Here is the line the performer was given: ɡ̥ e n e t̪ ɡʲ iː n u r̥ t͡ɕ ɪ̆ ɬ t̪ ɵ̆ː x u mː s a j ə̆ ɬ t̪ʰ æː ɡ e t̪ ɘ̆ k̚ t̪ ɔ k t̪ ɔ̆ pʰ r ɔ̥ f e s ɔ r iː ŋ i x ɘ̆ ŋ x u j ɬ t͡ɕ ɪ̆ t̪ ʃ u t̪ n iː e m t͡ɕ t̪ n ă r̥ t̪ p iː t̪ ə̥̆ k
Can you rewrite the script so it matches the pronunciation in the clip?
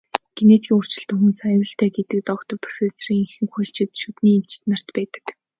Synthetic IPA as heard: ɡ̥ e n e t̪ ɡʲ iː ŋ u r̥ t͡ɕ ɪ̆ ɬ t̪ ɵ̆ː x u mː s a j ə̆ ɬ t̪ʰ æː ɡ e t̪ ɘ̆ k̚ t̪ ɔ k t̪ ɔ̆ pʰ r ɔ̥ f e s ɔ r iː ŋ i x ɘ̆ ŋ x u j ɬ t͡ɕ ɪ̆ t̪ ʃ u t̪ n iː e m t͡ɕ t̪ n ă r̥ t̪ p æː t̪ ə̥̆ k